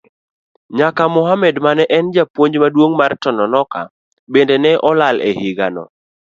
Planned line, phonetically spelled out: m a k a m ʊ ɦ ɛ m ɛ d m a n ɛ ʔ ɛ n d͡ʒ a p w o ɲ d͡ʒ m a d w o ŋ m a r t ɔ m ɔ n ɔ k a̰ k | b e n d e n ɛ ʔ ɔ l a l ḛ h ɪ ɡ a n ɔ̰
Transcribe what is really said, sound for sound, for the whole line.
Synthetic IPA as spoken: ɲ a k a m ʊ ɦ a m ɛ d m a n ɛ ʔ ɛ n d͡ʒ a p w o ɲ d͡ʒ m a d w o ŋ m a r t ɔ n ɔ n ɔ k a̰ | b e n d e n ɛ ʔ ɔ l a l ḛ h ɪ ɡ a n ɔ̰